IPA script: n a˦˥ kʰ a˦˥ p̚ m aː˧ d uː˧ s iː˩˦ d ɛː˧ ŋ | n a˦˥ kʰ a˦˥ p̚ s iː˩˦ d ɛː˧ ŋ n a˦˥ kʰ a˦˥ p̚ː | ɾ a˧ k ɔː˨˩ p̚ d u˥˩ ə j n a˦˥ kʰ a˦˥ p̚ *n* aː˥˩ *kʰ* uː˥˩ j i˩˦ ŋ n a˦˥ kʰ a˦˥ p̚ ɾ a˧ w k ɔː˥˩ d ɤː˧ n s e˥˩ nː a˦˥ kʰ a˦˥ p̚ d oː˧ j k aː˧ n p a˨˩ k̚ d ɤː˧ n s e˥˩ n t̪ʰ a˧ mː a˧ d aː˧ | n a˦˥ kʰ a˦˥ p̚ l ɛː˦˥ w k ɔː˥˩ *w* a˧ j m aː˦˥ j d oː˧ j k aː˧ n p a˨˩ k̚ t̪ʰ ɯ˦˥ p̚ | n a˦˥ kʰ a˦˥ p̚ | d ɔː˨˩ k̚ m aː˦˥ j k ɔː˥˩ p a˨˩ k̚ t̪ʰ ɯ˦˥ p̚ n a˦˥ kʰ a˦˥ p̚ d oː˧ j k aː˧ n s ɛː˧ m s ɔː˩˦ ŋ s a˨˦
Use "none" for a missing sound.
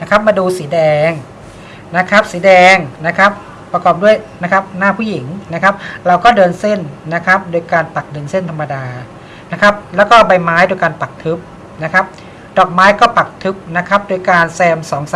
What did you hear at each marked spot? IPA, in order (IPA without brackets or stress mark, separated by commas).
n, pʰ, b